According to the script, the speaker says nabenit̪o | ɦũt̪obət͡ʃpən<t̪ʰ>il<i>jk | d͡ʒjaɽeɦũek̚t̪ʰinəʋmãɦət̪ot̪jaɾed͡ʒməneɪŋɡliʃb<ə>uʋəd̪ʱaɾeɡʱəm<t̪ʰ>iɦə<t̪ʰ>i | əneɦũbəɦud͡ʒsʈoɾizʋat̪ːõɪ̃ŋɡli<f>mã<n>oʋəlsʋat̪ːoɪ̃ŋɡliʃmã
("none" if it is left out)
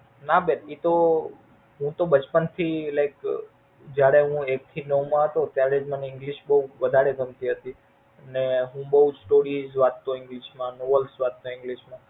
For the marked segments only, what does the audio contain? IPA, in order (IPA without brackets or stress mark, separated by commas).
t̪ʰ, a, ə, t̪, t̪, ʃ, n